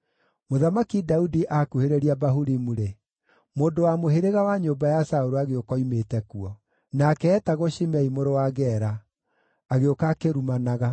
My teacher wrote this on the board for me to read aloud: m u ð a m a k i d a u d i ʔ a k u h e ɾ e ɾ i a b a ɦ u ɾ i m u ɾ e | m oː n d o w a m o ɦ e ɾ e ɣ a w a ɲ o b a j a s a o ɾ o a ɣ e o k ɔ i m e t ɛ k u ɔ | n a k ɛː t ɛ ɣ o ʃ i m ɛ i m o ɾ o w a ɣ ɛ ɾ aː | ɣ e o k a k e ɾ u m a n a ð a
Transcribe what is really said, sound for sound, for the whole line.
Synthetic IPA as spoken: m o ð a m a k i d a u d i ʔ a k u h e ɾ e ɾ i a b a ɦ u ɾ i m u ɾ e | m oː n d o w a m o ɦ e ɾ e ɣ a w a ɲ o b a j a s a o ɾ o a ɣ e o k ɔ i m e t ɛ k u ɔ | n a k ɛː t a ɣ o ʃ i m ɛ i m o ɾ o w a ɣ ɛ ɾ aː | ɣ e o k a k e ɾ u m a n a ɣ a